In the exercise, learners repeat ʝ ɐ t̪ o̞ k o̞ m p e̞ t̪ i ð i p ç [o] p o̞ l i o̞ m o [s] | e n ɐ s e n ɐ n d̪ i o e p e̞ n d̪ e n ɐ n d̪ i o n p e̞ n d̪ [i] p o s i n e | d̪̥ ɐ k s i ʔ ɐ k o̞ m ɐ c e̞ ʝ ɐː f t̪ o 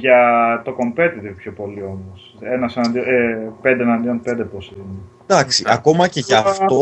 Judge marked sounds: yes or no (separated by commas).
yes, yes, no